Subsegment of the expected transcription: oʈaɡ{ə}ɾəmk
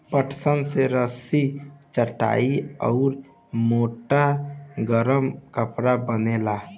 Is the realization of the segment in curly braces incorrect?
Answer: no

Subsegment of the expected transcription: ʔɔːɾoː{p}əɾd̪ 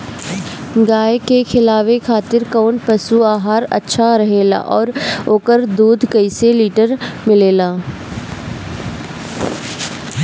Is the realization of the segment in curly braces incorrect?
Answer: yes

